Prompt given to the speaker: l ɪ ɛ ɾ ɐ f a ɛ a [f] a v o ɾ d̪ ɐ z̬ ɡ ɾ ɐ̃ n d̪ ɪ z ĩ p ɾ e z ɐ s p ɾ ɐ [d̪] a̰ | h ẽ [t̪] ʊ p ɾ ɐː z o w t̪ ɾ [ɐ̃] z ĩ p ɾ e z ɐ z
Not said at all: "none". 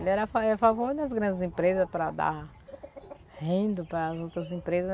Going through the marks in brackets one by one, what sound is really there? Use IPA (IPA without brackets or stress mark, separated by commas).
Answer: f, d̪, d̪, ɐ